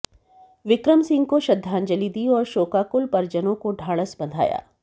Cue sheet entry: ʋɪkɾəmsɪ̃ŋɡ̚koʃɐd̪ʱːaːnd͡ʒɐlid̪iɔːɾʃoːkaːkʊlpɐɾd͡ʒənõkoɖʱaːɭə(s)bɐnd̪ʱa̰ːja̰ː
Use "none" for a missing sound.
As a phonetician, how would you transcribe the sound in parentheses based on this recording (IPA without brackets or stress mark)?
s